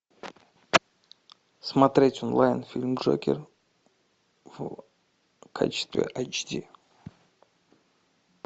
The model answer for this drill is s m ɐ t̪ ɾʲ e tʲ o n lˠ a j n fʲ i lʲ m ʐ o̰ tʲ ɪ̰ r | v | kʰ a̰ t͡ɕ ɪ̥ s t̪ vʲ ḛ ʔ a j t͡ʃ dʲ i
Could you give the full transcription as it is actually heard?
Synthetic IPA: s m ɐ t̪ ɾʲ e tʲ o n lˠ a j n fʲ i lʲ m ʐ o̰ kʲ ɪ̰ r | v | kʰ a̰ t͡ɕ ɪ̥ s t̪ vʲ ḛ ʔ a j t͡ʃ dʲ i